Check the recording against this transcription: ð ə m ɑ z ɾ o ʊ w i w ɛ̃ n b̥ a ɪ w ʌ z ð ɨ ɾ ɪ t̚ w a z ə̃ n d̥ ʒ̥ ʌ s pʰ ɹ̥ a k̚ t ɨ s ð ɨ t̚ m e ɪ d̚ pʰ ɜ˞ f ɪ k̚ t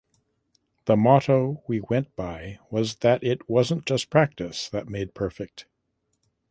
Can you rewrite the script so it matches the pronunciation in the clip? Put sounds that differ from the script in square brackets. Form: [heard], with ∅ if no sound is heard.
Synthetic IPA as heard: ð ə m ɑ [∅] ɾ o ʊ w i w ɛ̃ n b̥ a ɪ w ʌ z ð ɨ ɾ ɪ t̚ w [ʌ] z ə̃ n d̥ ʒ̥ ʌ s pʰ ɹ̥ [æ] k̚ t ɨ s ð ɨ t̚ m e ɪ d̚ pʰ ɜ˞ f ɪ k̚ t

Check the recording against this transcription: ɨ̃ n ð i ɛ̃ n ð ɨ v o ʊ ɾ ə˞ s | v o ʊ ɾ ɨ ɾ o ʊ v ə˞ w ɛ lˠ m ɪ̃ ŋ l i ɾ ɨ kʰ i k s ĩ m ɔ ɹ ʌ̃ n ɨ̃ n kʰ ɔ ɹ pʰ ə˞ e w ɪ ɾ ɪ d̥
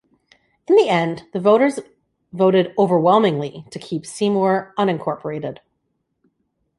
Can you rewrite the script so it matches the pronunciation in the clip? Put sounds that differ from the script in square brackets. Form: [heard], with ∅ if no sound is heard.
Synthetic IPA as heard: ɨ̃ n ð i ɛ̃ n ð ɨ v o ʊ ɾ ə˞ [z] | v o ʊ ɾ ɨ ɾ o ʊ v ə˞ w ɛ lˠ m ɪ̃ ŋ l i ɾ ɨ kʰ i [p] s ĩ m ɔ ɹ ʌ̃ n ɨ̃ n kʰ ɔ ɹ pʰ ə˞ e [∅] ɪ ɾ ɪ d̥

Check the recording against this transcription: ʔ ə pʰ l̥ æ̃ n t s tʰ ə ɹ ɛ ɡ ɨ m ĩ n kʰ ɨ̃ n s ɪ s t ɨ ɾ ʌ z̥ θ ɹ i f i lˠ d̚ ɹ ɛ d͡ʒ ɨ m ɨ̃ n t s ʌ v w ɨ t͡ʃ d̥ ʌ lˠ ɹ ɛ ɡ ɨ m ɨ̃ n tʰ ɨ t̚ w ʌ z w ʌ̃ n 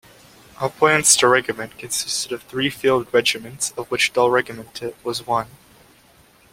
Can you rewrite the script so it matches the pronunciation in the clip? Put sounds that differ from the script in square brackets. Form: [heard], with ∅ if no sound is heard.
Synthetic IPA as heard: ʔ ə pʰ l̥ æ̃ n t s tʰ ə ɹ ɛ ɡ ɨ m [ɨ̃] n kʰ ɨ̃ n s ɪ s t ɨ ɾ ʌ [v̥] θ ɹ i f i lˠ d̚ ɹ ɛ d͡ʒ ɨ m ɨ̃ n t s ʌ v w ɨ t͡ʃ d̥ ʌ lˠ ɹ ɛ ɡ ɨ m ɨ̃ n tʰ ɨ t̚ w ʌ z w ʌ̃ n

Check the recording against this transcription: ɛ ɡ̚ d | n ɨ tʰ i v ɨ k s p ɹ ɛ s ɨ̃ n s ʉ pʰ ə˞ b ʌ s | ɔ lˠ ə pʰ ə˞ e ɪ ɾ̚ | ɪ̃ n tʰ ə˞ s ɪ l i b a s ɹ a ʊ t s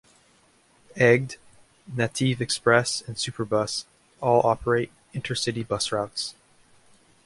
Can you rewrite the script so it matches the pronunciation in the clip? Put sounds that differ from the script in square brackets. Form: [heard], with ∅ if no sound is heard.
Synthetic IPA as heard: ɛ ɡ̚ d | n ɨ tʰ i v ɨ k s p ɹ ɛ s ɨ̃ n s ʉ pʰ ə˞ b ʌ s | ɔ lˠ [ɑ] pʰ ə˞ e ɪ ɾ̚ | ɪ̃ n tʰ ə˞ s ɪ [ɾ] i b [ʌ] s ɹ a ʊ t s

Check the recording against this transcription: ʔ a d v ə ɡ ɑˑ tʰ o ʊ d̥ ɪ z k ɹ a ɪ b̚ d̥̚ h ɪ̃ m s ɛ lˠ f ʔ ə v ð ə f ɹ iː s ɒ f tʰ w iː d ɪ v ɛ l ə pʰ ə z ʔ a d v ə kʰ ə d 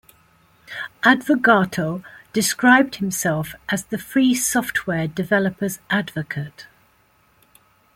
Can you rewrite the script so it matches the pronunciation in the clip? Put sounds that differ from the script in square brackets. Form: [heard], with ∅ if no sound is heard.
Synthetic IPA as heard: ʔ a d v ə ɡ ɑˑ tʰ o ʊ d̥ ɪ [s] k ɹ a ɪ b̚ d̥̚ h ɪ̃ m s ɛ lˠ f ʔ ə [z] ð ə f ɹ iː s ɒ f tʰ w [ɛː] d ɪ v ɛ l ə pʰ ə z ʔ a d v ə kʰ ə [t]

